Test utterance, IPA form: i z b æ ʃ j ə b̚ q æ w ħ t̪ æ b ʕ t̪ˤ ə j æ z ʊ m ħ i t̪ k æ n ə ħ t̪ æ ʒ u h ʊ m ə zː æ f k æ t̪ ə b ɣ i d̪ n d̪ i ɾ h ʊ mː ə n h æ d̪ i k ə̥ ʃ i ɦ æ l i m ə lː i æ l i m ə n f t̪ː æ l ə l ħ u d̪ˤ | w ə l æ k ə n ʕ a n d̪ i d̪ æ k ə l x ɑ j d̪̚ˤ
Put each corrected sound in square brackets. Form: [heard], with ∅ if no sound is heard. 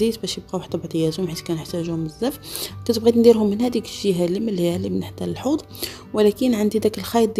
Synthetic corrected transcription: i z b æ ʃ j ə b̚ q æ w ħ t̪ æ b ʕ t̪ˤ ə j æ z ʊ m ħ i t̪ k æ n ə ħ t̪ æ ʒ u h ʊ m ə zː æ f k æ t̪ ə b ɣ i d̪ n d̪ i ɾ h ʊ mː ə n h æ d̪ i k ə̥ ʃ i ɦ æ l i m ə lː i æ l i m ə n [ħ] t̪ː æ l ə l ħ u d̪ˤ | w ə l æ k ə n ʕ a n d̪ i d̪ æ k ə l x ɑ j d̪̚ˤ